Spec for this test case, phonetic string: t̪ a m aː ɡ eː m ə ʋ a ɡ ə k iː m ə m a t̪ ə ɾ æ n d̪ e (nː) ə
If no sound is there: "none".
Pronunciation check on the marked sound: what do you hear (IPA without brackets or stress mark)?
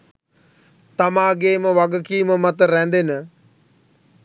n